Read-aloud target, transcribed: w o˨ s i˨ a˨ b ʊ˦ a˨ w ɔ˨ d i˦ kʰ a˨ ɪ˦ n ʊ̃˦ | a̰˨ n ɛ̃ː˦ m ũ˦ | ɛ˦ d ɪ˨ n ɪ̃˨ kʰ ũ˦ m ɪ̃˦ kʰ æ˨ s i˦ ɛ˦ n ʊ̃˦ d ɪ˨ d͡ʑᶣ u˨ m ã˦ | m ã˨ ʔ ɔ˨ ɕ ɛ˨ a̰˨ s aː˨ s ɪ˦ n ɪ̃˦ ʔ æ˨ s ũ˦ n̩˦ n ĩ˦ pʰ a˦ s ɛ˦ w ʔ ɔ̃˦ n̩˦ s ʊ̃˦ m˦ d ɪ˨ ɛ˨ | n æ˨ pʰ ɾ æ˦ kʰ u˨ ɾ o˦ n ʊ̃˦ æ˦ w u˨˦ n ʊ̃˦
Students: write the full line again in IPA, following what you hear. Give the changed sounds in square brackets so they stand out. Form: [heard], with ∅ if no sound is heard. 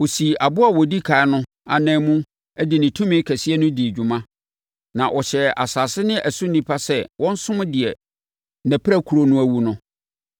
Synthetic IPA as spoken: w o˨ s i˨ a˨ b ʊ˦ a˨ w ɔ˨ d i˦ kʰ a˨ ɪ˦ n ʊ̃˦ | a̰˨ n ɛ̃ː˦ m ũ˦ | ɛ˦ d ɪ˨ n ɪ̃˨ [tʰ] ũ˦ m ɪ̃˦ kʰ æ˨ s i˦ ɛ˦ n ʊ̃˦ d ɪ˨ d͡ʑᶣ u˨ m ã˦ | [n] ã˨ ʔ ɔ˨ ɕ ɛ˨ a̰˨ s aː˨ s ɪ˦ n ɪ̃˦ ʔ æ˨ s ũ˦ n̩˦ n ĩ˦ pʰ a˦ s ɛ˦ w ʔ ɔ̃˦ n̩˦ s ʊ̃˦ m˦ d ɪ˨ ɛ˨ | n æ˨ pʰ ɾ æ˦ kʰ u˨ ɾ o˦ n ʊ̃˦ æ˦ w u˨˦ n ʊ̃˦